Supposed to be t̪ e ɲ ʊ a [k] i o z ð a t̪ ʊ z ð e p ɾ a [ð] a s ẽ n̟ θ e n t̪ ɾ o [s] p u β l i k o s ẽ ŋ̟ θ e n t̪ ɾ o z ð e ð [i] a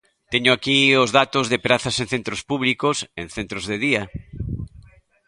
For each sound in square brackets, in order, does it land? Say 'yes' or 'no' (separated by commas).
yes, no, yes, yes